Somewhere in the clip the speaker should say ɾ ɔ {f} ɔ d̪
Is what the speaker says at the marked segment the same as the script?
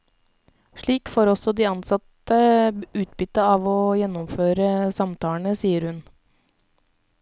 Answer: no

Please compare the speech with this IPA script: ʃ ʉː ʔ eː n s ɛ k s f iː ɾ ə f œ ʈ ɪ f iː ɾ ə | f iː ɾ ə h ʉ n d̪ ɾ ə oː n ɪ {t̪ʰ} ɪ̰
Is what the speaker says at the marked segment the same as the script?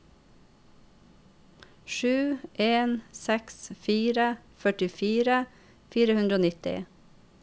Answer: no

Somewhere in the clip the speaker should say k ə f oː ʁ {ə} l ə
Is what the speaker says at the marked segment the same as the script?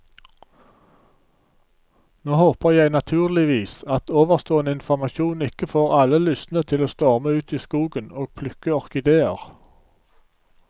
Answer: no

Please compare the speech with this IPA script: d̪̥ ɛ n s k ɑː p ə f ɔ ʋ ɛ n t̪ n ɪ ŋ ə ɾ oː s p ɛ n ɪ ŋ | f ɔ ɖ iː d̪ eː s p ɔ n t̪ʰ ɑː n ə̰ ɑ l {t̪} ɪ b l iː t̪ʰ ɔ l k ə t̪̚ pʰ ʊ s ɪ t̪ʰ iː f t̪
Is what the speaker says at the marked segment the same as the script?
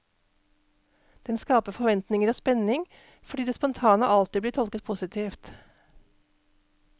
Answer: yes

